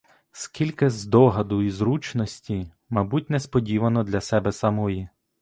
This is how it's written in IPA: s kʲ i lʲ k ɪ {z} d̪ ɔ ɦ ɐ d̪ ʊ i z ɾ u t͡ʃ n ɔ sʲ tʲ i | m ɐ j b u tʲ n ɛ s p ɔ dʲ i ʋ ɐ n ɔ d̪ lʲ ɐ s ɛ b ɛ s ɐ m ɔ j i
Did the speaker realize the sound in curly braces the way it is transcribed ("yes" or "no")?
yes